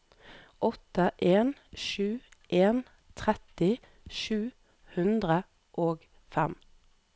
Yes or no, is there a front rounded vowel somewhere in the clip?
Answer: no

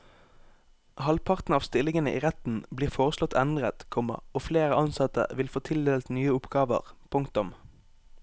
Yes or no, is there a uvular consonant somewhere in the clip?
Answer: yes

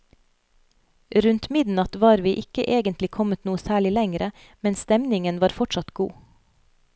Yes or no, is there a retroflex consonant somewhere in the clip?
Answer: yes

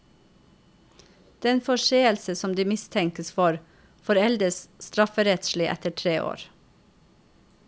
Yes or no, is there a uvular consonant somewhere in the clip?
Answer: no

